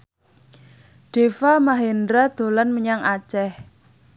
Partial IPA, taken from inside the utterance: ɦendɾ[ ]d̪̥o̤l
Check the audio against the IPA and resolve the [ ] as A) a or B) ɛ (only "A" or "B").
A